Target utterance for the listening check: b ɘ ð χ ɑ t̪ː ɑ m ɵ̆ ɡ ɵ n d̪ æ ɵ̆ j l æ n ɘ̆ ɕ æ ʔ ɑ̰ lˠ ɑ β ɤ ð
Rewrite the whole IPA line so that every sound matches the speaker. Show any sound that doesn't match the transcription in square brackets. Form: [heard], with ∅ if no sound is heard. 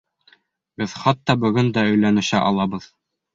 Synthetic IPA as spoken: b ɘ ð χ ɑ t̪ː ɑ [b] ɵ̆ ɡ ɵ n d̪ æ ɵ̆ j l æ n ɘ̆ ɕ æ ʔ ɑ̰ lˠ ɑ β ɤ ð

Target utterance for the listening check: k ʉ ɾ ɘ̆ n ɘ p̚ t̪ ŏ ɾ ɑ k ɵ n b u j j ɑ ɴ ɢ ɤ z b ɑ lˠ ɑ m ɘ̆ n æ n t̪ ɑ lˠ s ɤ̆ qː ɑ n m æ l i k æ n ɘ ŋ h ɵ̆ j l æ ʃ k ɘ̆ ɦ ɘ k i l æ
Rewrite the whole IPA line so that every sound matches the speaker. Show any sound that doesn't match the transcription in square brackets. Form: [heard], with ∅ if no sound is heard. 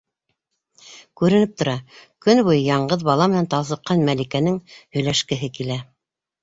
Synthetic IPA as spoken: k ʉ ɾ ɘ̆ n ɘ p̚ t̪ ŏ ɾ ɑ k ɵ n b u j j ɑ ɴ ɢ ɤ [ð] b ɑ lˠ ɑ m ɘ̆ n æ n t̪ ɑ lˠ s ɤ̆ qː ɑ n m æ l i k æ n ɘ ŋ h ɵ̆ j l æ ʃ k ɘ̆ ɦ ɘ k i l æ

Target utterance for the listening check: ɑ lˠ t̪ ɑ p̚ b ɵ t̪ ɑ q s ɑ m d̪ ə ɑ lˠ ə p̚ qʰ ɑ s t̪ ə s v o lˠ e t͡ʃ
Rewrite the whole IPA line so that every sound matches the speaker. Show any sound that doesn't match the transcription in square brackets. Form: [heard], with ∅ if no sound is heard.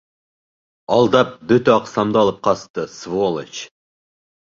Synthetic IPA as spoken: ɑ lˠ [d̪] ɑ p̚ b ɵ t̪ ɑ q s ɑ m d̪ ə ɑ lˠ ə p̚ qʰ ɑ s t̪ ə s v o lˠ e t͡ʃ

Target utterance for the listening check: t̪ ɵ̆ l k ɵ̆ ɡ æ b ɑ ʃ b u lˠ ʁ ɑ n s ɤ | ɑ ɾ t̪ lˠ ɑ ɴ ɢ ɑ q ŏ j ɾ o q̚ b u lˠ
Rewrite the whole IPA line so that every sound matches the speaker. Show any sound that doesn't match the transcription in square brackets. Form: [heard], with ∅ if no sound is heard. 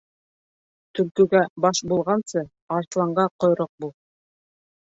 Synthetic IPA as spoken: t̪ ɵ̆ l k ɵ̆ ɡ æ b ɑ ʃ b u lˠ ʁ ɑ n s ɤ | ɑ ɾ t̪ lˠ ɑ ɴ ɢ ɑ q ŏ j ɾ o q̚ b u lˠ

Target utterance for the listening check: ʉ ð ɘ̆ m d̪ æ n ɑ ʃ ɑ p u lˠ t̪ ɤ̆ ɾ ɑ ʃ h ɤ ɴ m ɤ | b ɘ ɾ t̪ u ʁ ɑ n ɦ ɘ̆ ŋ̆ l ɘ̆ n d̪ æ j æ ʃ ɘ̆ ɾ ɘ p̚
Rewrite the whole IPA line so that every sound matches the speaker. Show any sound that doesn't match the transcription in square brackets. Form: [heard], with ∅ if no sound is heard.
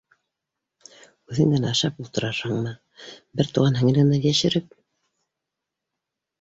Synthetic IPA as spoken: ʉ ð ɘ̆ [ŋ] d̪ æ n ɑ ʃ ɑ p u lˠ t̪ ɤ̆ ɾ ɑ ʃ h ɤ ɴ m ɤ | b ɘ ɾ t̪ u ʁ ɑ n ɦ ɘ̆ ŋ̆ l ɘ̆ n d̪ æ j æ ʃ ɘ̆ ɾ ɘ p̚

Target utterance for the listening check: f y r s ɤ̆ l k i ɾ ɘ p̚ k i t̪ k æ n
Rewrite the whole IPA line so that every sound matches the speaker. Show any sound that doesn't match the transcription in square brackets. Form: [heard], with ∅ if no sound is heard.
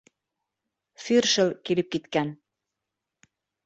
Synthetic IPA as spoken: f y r [ʃ] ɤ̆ l k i [l] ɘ p̚ k i t̪ k æ n

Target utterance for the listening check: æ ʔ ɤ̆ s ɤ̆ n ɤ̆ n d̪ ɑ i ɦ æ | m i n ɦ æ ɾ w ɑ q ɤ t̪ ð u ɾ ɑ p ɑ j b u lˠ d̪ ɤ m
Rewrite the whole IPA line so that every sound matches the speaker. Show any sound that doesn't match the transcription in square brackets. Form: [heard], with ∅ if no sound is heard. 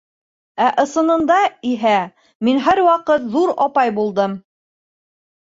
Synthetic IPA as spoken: æ ʔ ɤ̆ s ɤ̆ n ɤ̆ n d̪ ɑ i ɦ æ | m i n ɦ æ ɾ w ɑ q ɤ t̪ ð u ɾ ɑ p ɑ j b u lˠ d̪ ɤ m

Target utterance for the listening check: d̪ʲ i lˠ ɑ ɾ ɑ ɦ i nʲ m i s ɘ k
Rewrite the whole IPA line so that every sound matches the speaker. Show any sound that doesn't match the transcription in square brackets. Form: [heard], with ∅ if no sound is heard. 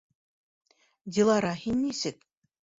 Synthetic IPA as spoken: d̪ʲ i lˠ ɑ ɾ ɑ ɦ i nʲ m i s ɘ k

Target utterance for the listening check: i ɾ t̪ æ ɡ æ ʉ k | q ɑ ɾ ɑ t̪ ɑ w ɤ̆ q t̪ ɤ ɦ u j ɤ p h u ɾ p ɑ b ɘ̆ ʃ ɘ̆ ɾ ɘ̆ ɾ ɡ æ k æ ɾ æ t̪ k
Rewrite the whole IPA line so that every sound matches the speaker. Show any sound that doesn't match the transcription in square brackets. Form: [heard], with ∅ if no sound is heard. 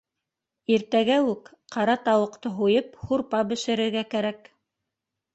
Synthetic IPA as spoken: i ɾ t̪ æ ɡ æ ʉ k | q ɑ ɾ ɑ t̪ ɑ w ɤ̆ q t̪ ɤ ɦ u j ɤ p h u ɾ p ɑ b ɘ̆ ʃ ɘ̆ ɾ ɘ̆ ɾ ɡ æ k æ ɾ æ [∅] k

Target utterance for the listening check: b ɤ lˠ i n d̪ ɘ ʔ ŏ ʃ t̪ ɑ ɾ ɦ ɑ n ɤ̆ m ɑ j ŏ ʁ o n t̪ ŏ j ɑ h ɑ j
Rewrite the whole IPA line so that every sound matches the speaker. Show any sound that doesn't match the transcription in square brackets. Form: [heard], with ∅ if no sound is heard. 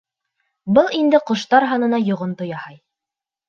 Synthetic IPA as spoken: b ɤ lˠ i n d̪ ɘ [q] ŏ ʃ t̪ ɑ ɾ ɦ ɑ n ɤ̆ [n] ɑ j ŏ ʁ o n t̪ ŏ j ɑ h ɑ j

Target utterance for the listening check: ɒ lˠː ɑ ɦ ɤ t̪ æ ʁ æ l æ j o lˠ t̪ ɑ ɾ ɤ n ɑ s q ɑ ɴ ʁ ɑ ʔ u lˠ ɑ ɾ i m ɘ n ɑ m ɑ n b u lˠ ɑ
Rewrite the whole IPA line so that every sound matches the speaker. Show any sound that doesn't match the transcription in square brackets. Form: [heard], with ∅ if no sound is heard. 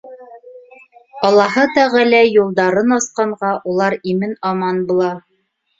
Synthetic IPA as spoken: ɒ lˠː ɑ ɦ ɤ t̪ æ ʁ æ l æ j [u] lˠ [d̪] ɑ ɾ ɤ n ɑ s q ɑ ɴ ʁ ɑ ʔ u lˠ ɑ ɾ i m ɘ n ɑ m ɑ n b u lˠ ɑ

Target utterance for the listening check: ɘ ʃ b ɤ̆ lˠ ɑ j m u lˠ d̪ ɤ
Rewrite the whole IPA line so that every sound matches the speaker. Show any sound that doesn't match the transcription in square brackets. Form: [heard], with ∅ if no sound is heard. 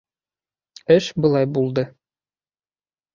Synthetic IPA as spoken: ɘ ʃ b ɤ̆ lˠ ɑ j [b] u lˠ d̪ ɤ

